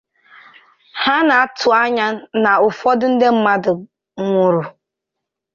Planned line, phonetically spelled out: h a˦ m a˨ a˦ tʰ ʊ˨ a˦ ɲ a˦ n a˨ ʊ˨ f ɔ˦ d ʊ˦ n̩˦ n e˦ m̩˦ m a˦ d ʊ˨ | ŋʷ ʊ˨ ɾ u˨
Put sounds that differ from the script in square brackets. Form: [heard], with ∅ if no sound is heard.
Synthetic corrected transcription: h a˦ [n] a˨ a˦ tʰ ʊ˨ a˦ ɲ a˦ n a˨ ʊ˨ f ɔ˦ d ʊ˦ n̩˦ [d] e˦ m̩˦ m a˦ d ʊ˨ | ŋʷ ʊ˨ ɾ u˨